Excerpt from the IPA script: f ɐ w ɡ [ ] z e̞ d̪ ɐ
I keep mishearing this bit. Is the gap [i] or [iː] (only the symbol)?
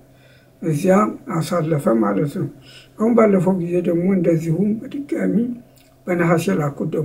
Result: i